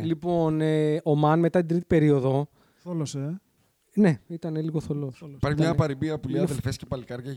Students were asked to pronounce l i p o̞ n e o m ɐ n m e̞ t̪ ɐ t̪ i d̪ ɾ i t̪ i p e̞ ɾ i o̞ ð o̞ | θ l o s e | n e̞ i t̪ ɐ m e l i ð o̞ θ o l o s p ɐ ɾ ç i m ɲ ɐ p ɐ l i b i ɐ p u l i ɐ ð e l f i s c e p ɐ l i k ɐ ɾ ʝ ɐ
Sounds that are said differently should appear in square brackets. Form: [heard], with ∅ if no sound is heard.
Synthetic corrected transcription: l i p o̞ n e o m ɐ n m e̞ t̪ ɐ t̪ i d̪ ɾ i t̪ i p e̞ ɾ i o̞ ð o̞ | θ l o s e | n e̞ i t̪ ɐ [n] e l i [ɣ] o̞ θ o l o s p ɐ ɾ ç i m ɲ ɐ p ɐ [ɾ] i b i ɐ p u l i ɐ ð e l f [e] s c e p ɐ l i k ɐ ɾ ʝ ɐ